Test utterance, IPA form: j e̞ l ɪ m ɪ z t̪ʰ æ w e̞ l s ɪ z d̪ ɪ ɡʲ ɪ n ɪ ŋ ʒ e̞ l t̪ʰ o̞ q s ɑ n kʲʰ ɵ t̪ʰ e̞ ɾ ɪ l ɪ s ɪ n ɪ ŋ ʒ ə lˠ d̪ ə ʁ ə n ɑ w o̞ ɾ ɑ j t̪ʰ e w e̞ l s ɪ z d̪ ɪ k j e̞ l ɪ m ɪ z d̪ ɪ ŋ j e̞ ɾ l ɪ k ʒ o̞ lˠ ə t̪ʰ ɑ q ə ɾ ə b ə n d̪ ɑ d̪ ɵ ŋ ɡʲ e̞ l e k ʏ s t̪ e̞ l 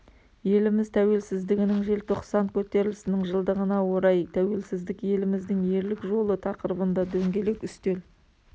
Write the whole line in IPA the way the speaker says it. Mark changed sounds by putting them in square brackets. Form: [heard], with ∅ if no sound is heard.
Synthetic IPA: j e̞ l ɪ m ɪ z t̪ʰ æ w e̞ l s ɪ z d̪ ɪ ɡʲ ɪ n ɪ ŋ ʒ e̞ l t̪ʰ o̞ q s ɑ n kʲʰ ɵ [t̪] e̞ ɾ ɪ l ɪ s ɪ n ɪ ŋ ʒ ə lˠ d̪ ə ʁ ə n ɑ w o̞ ɾ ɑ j t̪ʰ [æ] w e̞ l s ɪ z d̪ ɪ k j e̞ l ɪ m ɪ z d̪ ɪ ŋ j e̞ ɾ l ɪ k ʒ o̞ lˠ ə t̪ʰ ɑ q ə ɾ ə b ə n d̪ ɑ d̪ ɵ ŋ ɡʲ e̞ l e k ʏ s t̪ e̞ l